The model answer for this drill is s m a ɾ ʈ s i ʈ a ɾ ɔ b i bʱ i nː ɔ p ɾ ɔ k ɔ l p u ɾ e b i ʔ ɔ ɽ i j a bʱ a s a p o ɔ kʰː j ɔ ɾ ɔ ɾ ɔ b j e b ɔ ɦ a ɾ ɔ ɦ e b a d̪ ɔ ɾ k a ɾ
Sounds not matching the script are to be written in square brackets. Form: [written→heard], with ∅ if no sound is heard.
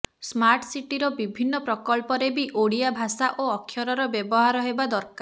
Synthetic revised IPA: s m a ɾ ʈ s i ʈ [a→i] ɾ ɔ b i bʱ i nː ɔ p ɾ ɔ k ɔ l p [u→ɔ] ɾ e b i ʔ [ɔ→o] ɽ i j a bʱ a s a [p→ʔ] o ɔ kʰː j ɔ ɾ ɔ ɾ ɔ b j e b ɔ ɦ a ɾ ɔ ɦ e b a d̪ ɔ ɾ k a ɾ